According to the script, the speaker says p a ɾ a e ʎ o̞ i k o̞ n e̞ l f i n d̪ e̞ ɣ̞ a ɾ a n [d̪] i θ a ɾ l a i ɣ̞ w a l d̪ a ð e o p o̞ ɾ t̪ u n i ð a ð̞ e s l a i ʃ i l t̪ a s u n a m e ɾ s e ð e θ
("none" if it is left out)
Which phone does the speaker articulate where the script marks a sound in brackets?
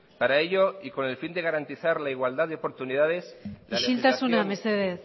t̪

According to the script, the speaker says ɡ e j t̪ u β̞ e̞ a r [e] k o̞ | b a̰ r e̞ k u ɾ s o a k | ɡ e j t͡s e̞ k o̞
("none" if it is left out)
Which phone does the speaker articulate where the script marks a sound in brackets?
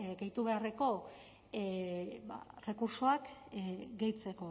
e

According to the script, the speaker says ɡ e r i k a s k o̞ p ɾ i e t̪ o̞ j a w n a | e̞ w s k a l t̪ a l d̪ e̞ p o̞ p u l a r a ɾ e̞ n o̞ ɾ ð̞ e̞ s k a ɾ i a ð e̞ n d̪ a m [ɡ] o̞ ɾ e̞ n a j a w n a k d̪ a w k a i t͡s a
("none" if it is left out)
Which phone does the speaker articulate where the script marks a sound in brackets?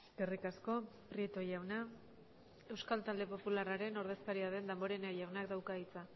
b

